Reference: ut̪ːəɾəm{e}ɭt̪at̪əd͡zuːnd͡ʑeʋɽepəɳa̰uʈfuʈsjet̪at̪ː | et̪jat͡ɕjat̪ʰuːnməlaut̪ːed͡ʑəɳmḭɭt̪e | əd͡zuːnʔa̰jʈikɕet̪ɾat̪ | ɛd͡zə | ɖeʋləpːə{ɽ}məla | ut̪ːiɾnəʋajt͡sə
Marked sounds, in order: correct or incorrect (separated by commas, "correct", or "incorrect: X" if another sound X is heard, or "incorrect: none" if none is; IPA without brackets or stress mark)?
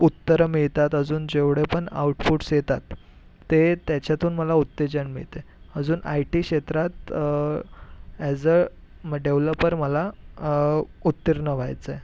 incorrect: i, incorrect: ɾ